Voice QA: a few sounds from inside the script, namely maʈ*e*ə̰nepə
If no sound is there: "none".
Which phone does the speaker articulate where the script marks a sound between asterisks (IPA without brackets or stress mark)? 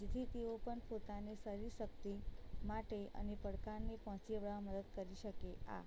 e